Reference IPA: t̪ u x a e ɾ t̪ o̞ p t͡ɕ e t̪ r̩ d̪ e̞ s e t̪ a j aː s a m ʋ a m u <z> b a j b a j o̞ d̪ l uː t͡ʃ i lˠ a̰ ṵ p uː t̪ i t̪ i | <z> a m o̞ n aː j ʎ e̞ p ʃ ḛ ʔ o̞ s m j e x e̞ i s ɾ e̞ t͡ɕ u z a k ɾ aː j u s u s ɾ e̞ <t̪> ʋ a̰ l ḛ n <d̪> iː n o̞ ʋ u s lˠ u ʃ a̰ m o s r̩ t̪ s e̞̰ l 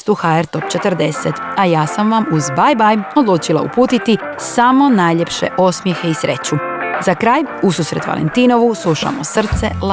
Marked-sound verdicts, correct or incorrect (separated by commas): correct, incorrect, correct, incorrect